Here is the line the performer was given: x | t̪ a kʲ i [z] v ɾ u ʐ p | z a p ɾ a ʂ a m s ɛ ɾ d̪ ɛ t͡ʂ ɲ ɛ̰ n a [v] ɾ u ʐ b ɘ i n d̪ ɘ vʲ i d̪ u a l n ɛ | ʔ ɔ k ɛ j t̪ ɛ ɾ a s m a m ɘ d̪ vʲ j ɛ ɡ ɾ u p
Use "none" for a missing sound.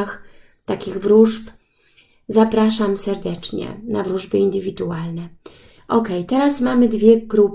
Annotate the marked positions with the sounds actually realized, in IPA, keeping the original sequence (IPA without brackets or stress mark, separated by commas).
ɣ, v